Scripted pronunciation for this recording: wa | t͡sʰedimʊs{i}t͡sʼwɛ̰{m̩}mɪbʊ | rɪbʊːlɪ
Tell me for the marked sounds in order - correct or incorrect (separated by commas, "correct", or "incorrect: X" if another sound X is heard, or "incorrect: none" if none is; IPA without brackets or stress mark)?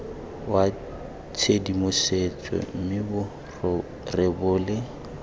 incorrect: e, correct